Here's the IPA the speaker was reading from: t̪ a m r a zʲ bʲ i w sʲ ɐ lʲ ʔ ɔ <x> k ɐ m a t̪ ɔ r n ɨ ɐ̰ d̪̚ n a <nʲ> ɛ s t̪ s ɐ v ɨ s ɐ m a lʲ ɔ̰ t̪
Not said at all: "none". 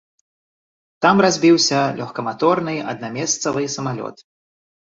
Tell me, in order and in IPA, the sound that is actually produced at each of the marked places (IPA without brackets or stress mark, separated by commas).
x, mʲ